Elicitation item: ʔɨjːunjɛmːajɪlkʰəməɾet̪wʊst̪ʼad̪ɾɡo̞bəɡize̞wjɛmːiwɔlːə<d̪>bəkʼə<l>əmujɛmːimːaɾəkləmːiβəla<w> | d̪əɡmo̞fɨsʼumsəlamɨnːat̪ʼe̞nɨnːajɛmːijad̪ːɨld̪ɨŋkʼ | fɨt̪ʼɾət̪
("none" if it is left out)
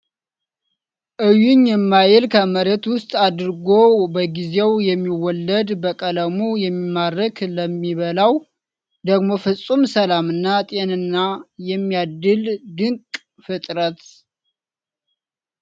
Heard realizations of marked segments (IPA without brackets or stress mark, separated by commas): d̪, l, w